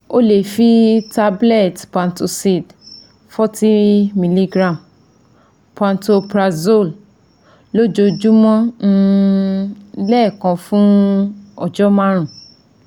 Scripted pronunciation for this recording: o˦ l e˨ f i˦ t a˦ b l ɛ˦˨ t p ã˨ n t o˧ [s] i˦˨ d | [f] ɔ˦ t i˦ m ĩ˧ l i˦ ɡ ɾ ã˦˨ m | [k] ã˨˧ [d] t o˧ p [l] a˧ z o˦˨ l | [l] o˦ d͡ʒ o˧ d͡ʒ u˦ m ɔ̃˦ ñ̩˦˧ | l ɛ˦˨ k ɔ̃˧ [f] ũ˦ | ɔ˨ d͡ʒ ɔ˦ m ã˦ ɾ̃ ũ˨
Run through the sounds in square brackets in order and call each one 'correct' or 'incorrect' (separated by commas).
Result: correct, correct, incorrect, incorrect, incorrect, correct, correct